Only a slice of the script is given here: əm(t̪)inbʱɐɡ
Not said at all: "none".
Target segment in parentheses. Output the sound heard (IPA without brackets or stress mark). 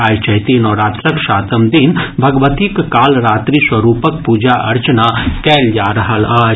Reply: d̪